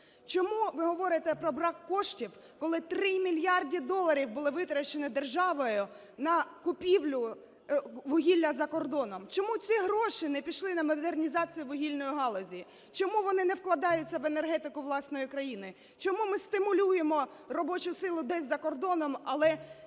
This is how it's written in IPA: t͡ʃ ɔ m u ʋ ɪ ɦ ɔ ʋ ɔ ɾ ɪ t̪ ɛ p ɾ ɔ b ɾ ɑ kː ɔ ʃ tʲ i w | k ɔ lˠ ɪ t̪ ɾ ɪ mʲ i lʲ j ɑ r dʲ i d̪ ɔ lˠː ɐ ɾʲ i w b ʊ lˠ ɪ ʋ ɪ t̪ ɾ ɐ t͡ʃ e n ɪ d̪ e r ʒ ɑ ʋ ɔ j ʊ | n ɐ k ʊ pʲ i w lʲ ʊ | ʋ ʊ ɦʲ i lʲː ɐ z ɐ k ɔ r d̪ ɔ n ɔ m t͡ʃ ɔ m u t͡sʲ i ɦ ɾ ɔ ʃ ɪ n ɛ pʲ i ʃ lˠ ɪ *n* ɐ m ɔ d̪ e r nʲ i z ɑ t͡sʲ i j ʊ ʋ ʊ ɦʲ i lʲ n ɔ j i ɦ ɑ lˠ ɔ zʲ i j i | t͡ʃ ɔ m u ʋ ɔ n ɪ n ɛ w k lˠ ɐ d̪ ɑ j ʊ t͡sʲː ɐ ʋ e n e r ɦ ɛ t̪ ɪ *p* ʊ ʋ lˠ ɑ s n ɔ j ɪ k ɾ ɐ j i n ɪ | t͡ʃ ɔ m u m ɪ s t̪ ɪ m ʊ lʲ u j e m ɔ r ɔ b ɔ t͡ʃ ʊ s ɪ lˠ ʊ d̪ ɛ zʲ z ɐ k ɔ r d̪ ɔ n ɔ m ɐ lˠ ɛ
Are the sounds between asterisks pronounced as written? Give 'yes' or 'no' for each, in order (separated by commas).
yes, no